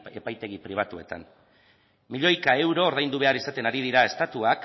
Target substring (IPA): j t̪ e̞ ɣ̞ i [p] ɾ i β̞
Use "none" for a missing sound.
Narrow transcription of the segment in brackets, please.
p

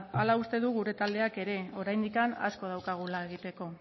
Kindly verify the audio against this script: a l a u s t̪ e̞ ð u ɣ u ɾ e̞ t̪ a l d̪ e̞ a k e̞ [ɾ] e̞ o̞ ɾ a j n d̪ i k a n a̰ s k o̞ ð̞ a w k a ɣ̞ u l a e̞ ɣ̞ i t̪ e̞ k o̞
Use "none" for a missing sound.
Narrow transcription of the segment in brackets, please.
ɾ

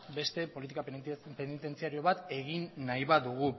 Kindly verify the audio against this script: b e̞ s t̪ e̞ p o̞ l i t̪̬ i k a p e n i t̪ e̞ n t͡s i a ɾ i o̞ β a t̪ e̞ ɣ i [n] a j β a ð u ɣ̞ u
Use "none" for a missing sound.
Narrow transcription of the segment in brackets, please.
nː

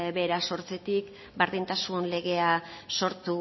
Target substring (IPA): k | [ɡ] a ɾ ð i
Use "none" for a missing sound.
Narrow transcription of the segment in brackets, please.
b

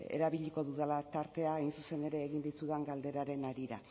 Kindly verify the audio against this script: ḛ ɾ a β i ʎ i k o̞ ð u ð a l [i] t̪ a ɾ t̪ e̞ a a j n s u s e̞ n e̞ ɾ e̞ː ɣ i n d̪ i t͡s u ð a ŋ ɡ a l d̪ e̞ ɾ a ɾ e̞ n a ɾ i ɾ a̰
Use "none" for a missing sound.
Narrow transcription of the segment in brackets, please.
a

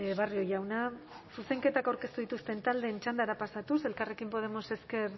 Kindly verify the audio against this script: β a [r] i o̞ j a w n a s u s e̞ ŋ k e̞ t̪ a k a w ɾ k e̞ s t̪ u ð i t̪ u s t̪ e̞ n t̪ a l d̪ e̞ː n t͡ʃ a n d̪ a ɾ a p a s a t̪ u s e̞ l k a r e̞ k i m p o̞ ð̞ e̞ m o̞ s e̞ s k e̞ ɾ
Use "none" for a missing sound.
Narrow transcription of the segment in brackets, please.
r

